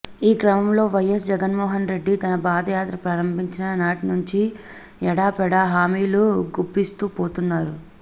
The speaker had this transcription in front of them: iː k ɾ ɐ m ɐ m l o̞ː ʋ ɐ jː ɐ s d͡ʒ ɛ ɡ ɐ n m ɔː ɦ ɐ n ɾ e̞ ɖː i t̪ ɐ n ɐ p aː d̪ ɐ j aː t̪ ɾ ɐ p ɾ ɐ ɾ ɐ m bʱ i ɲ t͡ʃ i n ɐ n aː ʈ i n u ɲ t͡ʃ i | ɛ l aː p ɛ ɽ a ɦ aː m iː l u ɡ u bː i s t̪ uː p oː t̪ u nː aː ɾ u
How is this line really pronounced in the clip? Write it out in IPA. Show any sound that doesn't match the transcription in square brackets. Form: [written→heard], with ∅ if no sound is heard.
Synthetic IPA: iː k ɾ ɐ m ɐ m l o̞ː ʋ ɐ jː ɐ s d͡ʒ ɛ ɡ ɐ n m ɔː ɦ ɐ n ɾ e̞ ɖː i t̪ ɐ n ɐ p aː d̪ ɐ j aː t̪ ɾ ɐ p ɾ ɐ ɾ ɐ m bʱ i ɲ t͡ʃ i n ɐ n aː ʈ i n u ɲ t͡ʃ i | ɛ [l→ɽ] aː p ɛ ɽ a ɦ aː m iː l u ɡ u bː i s t̪ uː p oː t̪ u nː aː ɾ u